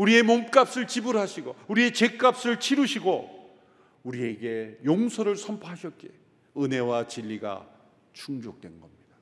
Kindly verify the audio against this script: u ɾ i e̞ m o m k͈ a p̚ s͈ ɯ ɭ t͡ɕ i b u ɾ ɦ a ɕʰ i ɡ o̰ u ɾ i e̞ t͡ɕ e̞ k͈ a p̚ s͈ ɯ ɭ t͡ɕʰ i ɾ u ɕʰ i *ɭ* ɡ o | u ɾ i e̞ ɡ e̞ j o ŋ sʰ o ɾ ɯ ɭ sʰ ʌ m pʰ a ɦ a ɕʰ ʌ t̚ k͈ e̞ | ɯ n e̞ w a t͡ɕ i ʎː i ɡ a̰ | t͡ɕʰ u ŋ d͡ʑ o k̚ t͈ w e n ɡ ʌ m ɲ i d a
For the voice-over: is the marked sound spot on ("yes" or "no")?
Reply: no